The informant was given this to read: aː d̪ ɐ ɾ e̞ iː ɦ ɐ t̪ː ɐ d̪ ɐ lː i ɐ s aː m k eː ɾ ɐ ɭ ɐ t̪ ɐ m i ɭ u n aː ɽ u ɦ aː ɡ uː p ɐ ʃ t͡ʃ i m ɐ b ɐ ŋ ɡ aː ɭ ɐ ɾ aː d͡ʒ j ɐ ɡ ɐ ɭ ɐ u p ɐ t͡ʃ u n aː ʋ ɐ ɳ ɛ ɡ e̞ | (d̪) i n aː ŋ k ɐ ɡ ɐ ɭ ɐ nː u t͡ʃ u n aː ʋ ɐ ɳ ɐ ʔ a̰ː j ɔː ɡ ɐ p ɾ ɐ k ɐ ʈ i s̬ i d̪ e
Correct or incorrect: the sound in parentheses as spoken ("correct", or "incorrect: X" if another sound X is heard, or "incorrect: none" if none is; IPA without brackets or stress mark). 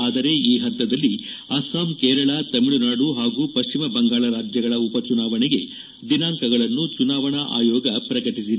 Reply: correct